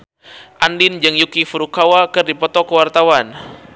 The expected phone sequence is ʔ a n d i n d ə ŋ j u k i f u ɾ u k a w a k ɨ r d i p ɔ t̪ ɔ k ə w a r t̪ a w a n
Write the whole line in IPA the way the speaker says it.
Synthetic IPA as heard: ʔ a n d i n d͡ʒ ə ŋ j u k i f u ɾ u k a w a k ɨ r d i p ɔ t̪ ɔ k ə w a r t̪ a w a n